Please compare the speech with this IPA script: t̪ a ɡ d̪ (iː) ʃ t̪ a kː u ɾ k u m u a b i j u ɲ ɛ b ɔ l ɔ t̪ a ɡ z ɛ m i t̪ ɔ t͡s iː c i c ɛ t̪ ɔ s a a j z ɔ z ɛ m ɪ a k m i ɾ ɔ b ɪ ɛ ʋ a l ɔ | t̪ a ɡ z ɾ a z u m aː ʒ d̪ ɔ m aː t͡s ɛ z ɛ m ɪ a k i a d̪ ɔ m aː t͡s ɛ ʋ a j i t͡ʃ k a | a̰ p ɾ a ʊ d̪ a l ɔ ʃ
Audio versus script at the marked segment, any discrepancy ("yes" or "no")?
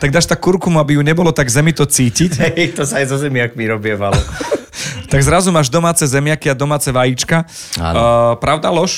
yes